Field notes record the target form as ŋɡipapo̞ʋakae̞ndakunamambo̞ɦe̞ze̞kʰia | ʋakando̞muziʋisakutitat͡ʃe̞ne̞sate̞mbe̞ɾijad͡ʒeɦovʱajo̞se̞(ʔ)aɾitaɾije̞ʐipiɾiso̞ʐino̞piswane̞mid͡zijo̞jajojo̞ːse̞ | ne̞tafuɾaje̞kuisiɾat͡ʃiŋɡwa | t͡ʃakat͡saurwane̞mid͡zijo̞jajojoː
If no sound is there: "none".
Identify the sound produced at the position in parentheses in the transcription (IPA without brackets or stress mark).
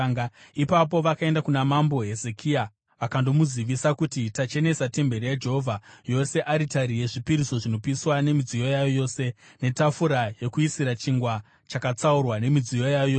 ʔ